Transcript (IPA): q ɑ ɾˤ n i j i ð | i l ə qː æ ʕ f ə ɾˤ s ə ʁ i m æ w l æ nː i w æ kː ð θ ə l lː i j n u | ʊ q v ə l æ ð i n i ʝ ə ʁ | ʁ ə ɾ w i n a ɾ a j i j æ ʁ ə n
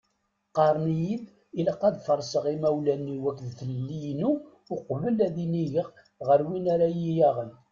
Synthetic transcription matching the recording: q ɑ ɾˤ n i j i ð | i l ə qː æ ð f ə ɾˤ s ə ʁ i m æ w l æ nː i w æ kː ð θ ə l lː i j n u | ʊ q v ə l æ ð i n i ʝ ə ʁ | ʁ ə ɾ w i n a ɾ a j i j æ ʁ ə n